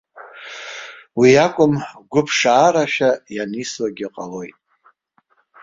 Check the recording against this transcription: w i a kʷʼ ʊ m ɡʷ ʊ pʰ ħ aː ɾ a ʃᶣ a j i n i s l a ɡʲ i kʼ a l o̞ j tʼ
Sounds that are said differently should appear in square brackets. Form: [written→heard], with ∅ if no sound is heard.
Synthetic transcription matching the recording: w i a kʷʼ ʊ m ɡʷ ʊ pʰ [ħ→ʂ] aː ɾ a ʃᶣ a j [i→a] n i s l a ɡʲ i [kʼ→qʼ] a l o̞ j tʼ

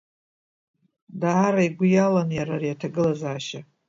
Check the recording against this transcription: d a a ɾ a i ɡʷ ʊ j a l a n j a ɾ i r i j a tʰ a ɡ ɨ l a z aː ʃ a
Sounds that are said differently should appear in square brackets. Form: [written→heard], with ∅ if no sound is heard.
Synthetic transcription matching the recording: d a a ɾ a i ɡʷ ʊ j a l a n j a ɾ [i→a] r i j a tʰ a ɡ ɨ l a z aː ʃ a

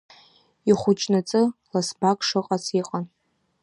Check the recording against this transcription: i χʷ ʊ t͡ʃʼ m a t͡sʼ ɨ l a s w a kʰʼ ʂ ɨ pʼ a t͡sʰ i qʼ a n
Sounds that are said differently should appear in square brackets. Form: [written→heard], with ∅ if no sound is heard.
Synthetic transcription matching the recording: i χʷ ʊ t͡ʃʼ [m→n] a t͡sʼ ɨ l a s [w→b] a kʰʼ ʂ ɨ [pʼ→qʼ] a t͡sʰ i qʼ a n

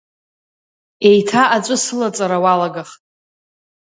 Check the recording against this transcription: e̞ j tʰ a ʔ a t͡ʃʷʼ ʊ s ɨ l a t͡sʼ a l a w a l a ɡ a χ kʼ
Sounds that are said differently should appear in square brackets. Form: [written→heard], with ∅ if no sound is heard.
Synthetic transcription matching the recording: e̞ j tʰ a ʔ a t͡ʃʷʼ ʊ s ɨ l a t͡sʼ a [l→ɾ] a w a l a ɡ a χ [kʼ→tʼ]

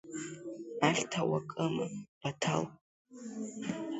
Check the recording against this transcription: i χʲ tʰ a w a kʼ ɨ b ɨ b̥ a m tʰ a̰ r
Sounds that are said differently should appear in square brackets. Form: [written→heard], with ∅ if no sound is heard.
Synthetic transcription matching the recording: [i→a] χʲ tʰ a w a kʼ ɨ [b→m] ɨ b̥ a [m→∅] tʰ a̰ [r→l]

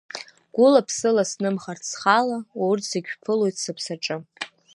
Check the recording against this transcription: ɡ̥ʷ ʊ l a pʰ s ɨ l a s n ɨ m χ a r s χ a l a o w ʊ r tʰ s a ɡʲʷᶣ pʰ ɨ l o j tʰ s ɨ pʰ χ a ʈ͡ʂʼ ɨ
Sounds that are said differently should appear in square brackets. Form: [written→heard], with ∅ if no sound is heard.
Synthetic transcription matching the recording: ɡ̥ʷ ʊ l a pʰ s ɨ l a s n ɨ m χ a r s χ a l a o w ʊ r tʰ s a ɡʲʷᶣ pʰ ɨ l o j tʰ s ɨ pʰ [χ→s] a ʈ͡ʂʼ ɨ

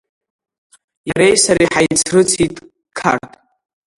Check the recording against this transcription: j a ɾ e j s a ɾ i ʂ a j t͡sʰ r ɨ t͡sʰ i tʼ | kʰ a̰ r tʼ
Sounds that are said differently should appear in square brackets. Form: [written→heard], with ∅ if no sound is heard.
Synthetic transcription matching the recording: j a ɾ e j s a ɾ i [ʂ→ħ] a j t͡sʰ r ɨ t͡sʰ i tʼ | kʰ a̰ r tʼ

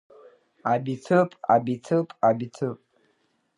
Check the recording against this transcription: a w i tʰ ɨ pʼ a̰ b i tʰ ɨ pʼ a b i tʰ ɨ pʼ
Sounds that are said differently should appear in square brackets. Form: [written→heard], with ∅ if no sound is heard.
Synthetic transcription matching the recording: a [w→b] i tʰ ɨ pʼ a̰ b i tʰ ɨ pʼ a b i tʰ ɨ pʼ

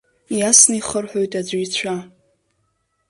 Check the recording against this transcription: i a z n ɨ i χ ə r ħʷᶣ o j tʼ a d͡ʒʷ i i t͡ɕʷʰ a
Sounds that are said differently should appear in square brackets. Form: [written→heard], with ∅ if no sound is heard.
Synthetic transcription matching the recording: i a [z→s] n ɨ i χ ə r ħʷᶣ o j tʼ a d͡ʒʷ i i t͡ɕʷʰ a

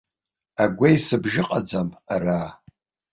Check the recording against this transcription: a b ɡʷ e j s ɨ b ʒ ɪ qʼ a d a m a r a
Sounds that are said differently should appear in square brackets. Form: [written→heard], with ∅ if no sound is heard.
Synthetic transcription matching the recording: a [b→∅] ɡʷ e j s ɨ b ʒ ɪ qʼ a [d→d͡z] a m a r a

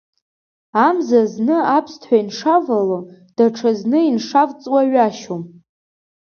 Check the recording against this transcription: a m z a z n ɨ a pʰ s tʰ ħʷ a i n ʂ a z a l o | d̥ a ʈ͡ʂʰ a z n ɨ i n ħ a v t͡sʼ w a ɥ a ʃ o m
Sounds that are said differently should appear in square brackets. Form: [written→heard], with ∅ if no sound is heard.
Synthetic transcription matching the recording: a m z a z n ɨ a pʰ s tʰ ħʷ a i n ʂ a [z→v] a l o | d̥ a ʈ͡ʂʰ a z n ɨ i n [ħ→ʂ] a v t͡sʼ w a ɥ a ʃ o m

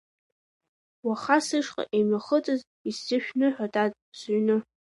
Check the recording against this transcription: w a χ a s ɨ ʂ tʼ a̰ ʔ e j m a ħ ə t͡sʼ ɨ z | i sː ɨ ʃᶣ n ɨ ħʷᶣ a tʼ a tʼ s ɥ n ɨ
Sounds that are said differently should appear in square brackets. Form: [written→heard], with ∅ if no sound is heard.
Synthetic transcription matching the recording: w a χ a s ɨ ʂ [tʼ→qʼ] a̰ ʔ e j m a [ħ→χ] ə t͡sʼ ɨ z | i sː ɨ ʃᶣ n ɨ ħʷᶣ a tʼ a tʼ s ɥ n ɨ

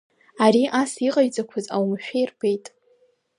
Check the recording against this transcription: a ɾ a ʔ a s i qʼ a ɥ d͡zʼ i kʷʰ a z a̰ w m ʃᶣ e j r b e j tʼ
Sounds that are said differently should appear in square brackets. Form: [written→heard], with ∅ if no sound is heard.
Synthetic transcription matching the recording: a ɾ [a→i] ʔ a s i qʼ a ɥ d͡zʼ [i→a] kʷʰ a z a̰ w m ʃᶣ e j r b e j tʼ

